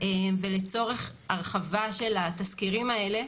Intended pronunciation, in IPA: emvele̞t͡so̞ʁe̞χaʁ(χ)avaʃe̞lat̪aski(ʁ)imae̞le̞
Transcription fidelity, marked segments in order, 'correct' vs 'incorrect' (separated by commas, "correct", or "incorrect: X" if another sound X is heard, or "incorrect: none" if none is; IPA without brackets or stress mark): correct, correct